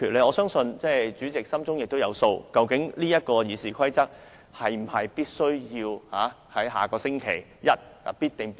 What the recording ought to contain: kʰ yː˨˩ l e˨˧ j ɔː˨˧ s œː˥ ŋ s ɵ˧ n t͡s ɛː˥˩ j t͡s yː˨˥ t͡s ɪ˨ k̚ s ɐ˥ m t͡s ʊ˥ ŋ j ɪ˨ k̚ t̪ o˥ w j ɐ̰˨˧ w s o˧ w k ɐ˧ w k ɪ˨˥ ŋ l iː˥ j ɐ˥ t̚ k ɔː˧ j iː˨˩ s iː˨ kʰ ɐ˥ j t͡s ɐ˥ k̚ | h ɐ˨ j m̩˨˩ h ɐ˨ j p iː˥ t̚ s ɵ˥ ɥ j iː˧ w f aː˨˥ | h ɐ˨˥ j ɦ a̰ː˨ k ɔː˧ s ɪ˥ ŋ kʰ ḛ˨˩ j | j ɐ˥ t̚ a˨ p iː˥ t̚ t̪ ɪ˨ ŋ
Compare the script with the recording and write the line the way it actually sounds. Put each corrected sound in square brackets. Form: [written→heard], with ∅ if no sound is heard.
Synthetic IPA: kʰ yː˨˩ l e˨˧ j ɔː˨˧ s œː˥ ŋ s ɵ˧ n t͡s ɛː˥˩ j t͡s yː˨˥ t͡s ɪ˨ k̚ s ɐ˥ m t͡s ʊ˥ ŋ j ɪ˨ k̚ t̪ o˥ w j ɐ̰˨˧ w s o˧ w k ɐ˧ w k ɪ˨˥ ŋ l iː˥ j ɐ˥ t̚ k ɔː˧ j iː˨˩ s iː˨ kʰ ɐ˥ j t͡s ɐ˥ k̚ | h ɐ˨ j m̩˨˩ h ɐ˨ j p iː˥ t̚ s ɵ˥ ɥ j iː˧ w [f→h] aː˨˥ | h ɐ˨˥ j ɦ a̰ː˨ k ɔː˧ s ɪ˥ ŋ kʰ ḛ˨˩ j | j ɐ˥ t̚ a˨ p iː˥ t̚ t̪ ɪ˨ ŋ